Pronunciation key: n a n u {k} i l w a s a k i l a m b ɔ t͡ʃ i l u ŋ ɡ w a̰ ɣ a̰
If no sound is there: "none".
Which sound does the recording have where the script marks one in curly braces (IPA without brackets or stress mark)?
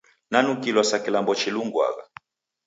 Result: k